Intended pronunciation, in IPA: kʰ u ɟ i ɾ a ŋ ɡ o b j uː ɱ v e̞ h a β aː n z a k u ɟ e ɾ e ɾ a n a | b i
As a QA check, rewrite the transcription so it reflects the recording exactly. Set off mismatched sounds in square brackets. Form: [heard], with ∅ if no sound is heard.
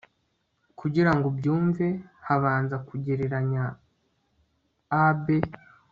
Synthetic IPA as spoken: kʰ u ɟ i ɾ a ŋ ɡ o b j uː ɱ v e̞ h a β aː n z a k u ɟ e ɾ e ɾ a [ɲ] a | b [e]

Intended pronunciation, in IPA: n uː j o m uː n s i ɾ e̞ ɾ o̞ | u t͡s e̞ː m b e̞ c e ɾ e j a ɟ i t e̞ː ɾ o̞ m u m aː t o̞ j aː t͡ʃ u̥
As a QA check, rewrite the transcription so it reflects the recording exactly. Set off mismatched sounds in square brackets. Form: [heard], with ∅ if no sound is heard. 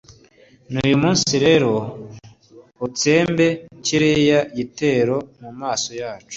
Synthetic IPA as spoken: n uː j [u] m uː n s i ɾ e̞ ɾ o̞ | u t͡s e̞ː m b e̞ c [i] ɾ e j a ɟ i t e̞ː ɾ o̞ m u m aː [s] o̞ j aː t͡ʃ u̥

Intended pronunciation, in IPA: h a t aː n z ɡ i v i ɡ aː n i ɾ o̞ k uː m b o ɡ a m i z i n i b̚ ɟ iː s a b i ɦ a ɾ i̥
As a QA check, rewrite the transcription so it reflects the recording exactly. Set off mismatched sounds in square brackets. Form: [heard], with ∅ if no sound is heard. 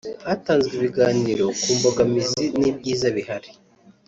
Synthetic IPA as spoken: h a t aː n z ɡ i [β] i ɡ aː n i ɾ o̞ k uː m b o ɡ a m i z i n i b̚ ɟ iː [z] a [β] i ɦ a ɾ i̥

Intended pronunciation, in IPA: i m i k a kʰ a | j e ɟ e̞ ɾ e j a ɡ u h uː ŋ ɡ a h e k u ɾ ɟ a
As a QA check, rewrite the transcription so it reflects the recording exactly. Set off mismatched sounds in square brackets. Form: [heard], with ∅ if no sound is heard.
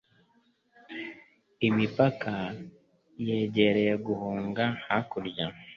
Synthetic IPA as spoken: i m i [p] a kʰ a | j e ɟ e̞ ɾ e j [e] ɡ u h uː ŋ ɡ a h [a] k u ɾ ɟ a

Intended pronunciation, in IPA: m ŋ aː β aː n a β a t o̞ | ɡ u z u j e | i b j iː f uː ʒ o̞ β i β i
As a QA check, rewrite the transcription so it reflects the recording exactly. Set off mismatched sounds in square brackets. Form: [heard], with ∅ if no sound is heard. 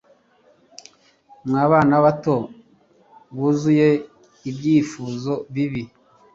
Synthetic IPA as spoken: m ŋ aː β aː n a β a t o̞ | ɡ u z u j e | i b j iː f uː [z] o̞ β i β i

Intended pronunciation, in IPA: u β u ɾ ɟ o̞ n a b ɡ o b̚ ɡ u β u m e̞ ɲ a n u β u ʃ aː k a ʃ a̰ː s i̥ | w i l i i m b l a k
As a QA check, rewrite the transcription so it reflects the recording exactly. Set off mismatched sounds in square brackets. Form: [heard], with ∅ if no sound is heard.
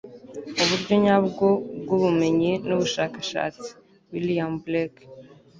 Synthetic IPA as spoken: u β u ɾ ɟ o̞ [ɲ] a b ɡ o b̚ ɡ u β u m e̞ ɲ [i] n u β u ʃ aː k a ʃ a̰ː [t͡s] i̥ | w i l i [a] m b l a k

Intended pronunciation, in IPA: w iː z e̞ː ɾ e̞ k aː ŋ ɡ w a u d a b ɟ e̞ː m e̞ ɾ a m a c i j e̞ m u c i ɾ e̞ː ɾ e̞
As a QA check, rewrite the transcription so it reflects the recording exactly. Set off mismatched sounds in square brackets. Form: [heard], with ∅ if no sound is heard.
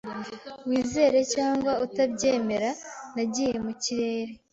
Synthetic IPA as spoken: w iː z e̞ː ɾ e̞ [c] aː ŋ ɡ w a u [t] a b ɟ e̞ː m e̞ ɾ a [n] a [ɟ] i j e̞ m u c i ɾ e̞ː ɾ e̞

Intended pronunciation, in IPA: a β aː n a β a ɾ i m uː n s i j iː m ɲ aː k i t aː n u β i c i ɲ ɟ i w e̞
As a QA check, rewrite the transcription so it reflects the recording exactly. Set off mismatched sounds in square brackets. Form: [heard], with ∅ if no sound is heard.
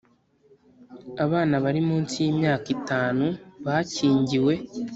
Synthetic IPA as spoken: a β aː n a β a ɾ i m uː n s i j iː m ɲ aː k i t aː n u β [a] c [iː] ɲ ɟ i w e̞

